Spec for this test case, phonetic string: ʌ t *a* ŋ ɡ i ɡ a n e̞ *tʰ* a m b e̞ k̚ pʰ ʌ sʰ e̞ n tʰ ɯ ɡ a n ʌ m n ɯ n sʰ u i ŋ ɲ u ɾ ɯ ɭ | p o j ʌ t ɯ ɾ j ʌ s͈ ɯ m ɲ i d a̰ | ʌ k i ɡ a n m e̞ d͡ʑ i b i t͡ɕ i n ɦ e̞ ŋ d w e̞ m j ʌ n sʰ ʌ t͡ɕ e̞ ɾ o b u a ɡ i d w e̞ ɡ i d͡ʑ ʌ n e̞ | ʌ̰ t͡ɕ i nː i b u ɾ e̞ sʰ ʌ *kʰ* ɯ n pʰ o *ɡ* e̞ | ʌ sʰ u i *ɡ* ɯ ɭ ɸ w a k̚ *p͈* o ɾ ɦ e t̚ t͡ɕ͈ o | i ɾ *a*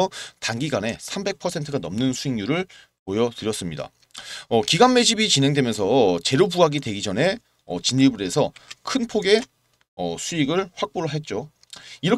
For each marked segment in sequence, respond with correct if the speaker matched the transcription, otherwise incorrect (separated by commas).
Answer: correct, incorrect, correct, correct, correct, correct, incorrect